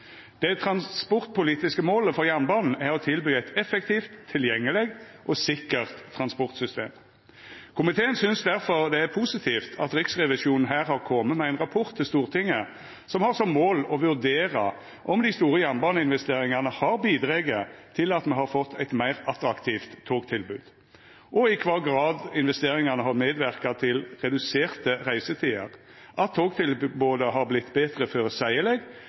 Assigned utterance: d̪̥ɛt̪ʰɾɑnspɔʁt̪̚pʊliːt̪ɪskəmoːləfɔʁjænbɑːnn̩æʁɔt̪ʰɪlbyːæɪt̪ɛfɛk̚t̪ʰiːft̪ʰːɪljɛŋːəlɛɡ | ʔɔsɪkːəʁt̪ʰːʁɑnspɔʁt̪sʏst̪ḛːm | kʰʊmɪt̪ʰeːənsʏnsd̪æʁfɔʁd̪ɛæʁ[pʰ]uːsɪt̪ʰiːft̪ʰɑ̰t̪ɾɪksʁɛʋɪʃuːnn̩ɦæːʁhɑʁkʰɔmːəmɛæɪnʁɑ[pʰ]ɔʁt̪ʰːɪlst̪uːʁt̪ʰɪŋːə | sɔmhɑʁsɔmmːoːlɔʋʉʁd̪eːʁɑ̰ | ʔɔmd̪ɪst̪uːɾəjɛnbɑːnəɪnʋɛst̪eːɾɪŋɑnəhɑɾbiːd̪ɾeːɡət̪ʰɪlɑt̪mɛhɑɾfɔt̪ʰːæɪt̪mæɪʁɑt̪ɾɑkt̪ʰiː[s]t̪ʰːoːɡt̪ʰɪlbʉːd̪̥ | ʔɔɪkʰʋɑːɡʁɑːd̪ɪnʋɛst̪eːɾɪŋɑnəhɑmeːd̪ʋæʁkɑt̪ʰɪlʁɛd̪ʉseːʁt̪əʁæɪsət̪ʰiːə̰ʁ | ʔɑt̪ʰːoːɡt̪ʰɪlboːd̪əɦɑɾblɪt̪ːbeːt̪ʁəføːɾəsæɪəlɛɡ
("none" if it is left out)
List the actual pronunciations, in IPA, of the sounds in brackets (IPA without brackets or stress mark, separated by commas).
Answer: pʰ, pʰ, f